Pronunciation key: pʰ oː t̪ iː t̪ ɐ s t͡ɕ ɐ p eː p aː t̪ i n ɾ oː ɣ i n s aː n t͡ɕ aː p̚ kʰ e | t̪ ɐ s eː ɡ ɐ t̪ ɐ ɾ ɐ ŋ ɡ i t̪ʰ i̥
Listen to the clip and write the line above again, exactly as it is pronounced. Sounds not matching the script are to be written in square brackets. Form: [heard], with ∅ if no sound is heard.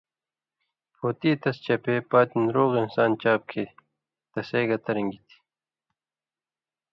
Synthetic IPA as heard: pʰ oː t̪ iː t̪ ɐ s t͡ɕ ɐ p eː p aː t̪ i n ɾ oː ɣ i n s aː n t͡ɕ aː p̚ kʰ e | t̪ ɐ s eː ɡ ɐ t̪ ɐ ɾ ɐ ŋ ɡ i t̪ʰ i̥